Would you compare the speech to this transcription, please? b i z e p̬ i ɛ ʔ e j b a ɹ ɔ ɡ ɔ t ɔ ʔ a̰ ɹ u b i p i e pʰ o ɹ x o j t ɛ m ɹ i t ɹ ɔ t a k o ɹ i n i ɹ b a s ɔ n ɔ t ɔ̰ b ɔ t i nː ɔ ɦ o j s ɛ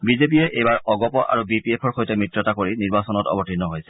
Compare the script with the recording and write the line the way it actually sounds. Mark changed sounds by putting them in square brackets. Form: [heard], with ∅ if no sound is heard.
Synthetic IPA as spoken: b i z e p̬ i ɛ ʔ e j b a ɹ ɔ ɡ ɔ [p] ɔ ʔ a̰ ɹ u b i p i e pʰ [ɔ] ɹ x o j t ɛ m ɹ i t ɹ ɔ t a k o ɹ i n i ɹ b a s ɔ n ɔ t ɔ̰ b ɔ t i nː ɔ ɦ o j s ɛ